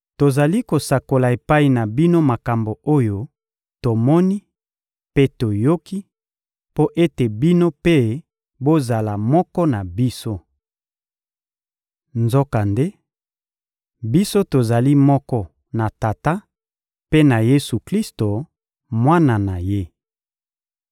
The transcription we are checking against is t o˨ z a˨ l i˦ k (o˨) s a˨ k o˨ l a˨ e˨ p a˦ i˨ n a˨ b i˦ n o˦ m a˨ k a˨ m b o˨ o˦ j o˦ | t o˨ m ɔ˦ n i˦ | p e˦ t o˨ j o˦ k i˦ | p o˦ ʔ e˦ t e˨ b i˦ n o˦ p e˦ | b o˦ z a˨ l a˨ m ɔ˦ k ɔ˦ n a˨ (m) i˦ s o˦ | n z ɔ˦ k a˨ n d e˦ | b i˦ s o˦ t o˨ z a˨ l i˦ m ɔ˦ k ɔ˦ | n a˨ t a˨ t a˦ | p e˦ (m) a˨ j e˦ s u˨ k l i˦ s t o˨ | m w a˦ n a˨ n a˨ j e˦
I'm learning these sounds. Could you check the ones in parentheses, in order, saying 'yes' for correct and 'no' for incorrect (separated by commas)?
yes, no, no